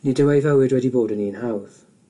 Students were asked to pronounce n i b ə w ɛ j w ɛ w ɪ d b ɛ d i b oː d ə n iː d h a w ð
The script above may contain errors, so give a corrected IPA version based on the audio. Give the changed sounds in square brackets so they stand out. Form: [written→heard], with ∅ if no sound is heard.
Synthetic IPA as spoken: n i [b→d] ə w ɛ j [w→v] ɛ w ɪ d [b→w] ɛ d i b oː d ə n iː [d→n] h a w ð